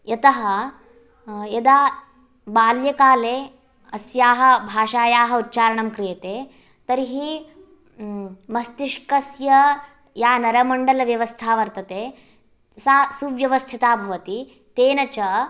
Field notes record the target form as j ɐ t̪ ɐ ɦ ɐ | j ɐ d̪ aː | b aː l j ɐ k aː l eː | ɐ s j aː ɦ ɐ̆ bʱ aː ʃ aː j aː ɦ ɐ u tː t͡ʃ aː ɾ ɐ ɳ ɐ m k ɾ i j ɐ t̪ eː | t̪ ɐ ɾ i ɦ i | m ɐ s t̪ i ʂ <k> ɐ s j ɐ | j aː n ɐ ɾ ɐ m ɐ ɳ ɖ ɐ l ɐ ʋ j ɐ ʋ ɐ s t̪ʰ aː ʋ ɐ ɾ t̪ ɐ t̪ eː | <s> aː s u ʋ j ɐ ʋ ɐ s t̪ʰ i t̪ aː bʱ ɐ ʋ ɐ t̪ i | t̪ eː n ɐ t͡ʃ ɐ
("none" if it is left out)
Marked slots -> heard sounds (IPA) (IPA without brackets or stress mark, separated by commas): k, s